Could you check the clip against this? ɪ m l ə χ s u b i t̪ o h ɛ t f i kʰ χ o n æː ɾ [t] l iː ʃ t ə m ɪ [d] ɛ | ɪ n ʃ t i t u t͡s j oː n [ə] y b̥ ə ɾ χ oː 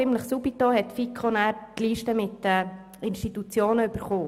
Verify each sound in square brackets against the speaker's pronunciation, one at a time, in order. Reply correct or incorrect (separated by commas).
correct, incorrect, correct